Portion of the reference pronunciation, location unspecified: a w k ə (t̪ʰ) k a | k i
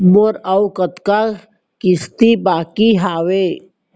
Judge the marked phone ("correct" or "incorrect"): incorrect